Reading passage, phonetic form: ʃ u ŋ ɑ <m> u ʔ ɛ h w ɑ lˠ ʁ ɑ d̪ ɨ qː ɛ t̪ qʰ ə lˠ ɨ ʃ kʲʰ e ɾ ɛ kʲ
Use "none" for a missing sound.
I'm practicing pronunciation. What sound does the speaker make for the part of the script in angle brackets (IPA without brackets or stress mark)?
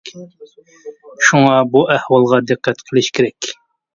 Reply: b